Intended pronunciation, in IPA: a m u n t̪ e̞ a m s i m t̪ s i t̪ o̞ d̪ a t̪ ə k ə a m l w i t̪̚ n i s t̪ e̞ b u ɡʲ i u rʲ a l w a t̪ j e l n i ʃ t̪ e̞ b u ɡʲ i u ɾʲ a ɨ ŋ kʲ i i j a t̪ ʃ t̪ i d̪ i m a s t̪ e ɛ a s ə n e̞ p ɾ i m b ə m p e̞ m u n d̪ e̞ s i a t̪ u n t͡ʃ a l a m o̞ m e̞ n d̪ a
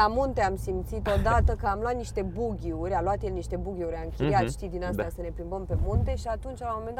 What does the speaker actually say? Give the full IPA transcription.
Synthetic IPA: a m u n t̪ e̞ a m s i m t̪ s i t̪ o̞ d̪ a t̪ ə k ə a m l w a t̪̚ n i ʃ t̪ e̞ b u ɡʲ i u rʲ a l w a t̪ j e l n i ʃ t̪ e̞ b u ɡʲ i u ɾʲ a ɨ ŋ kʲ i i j a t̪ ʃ t̪ i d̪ i n a s t̪ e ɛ a s ə n e̞ p ɾ i m b ə m p e̞ m u n t̪ e̞ ʃ i a t̪ u n t͡ʃ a l a m o̞ m e̞ n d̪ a